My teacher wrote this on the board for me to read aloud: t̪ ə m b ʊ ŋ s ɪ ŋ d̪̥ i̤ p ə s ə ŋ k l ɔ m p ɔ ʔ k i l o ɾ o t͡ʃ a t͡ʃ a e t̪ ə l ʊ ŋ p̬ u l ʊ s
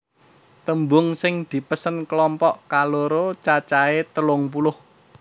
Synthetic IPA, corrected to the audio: t̪ ə m b ʊ ŋ s ɪ ŋ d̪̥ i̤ p ə s ə n k l ɔ m p ɔ ʔ k a l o ɾ o t͡ʃ a t͡ʃ a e t̪ ə l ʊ ŋ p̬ u l ʊ h